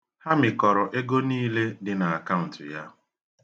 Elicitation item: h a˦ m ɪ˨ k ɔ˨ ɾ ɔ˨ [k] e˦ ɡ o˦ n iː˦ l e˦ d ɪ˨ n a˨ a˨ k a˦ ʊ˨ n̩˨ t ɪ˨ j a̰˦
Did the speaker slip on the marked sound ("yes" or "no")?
yes